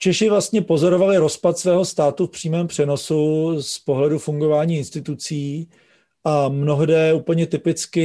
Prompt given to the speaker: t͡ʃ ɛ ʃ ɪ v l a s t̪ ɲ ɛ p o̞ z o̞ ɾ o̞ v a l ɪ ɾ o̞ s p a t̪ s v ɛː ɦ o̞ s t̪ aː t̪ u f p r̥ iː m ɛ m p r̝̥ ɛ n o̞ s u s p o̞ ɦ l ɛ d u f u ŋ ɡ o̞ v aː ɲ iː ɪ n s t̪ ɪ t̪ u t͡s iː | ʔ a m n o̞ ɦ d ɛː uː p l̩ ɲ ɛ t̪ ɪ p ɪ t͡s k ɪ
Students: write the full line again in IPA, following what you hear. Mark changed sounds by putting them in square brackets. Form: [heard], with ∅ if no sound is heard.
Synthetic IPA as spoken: t͡ʃ ɛ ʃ ɪ v l a s t̪ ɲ ɛ p o̞ z o̞ ɾ o̞ v a l ɪ ɾ o̞ s p a t̪ s v ɛː ɦ o̞ s t̪ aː t̪ u f p r̥ iː m [ɛː] m p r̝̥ ɛ n o̞ s u s p o̞ ɦ l ɛ d u f u ŋ ɡ o̞ v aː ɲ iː ɪ n s t̪ ɪ t̪ u t͡s iː | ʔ a m n o̞ ɦ d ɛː uː p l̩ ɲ ɛ t̪ ɪ p ɪ t͡s k ɪ